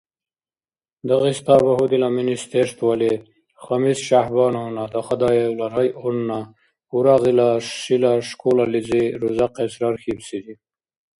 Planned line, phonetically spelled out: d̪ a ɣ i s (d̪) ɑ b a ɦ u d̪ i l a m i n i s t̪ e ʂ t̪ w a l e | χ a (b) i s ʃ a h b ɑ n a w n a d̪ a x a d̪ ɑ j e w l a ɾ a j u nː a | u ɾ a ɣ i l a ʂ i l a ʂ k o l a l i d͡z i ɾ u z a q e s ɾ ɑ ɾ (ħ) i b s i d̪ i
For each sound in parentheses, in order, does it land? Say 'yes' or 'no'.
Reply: no, no, no

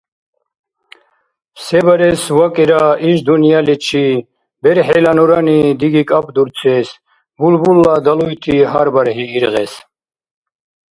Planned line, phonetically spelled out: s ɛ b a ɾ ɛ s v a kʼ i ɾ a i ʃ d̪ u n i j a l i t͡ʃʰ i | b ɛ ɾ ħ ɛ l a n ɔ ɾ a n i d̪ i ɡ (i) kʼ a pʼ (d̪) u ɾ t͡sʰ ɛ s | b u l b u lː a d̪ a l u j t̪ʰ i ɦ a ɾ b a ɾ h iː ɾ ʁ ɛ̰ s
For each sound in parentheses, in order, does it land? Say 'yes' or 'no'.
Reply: yes, yes

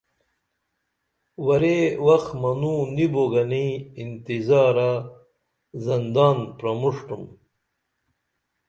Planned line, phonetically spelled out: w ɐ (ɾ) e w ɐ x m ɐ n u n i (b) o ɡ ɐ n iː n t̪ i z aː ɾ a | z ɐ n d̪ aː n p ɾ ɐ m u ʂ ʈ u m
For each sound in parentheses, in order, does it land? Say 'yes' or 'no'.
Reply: yes, yes

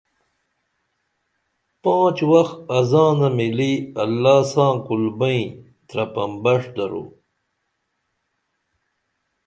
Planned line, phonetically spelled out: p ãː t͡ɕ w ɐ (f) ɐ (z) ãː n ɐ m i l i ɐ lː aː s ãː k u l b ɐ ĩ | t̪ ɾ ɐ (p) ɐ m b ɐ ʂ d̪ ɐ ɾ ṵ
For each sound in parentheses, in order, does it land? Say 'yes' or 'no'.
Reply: no, yes, yes

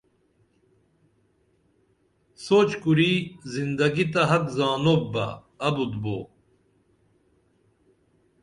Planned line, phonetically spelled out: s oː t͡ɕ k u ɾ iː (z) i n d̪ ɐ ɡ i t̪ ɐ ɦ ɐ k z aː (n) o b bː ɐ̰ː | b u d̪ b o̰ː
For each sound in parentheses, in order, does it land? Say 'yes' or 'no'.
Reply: yes, yes

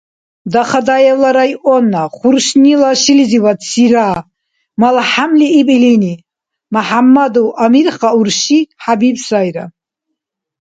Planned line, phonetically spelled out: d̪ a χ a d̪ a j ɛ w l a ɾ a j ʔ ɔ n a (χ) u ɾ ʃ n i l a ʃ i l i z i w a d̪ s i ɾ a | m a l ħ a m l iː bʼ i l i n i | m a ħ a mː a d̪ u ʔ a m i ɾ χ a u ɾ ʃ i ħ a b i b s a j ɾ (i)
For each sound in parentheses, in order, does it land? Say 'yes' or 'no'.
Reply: yes, no

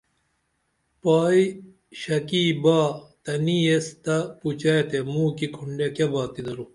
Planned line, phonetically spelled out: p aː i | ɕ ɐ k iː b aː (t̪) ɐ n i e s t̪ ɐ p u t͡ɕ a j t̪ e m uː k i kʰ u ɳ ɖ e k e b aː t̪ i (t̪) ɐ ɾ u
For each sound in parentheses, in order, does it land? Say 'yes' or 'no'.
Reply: yes, no

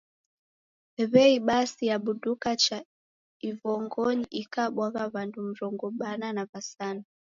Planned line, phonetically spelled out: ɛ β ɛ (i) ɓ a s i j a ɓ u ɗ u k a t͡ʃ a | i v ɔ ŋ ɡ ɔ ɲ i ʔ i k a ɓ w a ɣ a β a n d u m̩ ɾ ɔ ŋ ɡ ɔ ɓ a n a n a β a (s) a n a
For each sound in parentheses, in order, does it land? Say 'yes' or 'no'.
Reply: yes, yes

